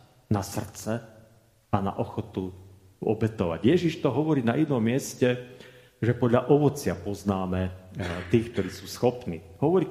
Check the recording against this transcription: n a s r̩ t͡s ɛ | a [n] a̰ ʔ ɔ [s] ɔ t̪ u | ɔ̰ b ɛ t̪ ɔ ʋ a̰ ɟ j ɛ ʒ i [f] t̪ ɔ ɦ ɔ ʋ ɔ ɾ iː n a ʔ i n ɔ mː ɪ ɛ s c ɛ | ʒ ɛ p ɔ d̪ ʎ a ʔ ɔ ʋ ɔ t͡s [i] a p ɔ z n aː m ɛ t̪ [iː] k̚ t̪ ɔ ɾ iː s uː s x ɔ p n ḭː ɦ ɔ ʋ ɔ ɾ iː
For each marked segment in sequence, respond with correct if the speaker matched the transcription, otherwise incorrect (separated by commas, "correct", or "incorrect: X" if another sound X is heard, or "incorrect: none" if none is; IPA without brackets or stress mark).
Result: correct, incorrect: x, incorrect: ʃ, incorrect: ɪ, correct